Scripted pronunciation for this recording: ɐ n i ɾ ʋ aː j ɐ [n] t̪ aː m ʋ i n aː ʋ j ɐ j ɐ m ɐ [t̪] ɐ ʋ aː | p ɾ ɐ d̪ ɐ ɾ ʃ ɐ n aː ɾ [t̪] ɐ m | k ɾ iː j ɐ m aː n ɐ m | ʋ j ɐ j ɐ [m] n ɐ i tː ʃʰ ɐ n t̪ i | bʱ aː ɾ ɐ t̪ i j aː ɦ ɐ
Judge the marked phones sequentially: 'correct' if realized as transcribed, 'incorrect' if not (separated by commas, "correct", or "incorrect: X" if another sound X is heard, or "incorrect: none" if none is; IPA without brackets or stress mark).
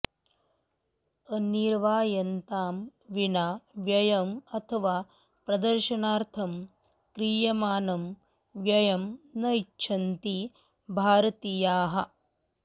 correct, incorrect: t̪ʰ, incorrect: t̪ʰ, correct